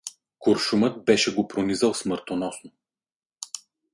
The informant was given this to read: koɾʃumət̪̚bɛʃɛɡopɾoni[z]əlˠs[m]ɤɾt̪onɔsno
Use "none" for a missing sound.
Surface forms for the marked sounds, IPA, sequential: z, m

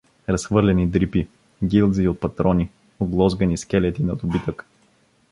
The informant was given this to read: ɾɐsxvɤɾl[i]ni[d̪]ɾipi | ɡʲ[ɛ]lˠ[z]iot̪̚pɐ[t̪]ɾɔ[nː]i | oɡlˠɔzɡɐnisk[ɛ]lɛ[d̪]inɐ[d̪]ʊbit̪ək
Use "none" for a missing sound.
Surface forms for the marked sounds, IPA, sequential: ɛ, d̪, i, z, t̪, n, ɛ, t̪, d̪

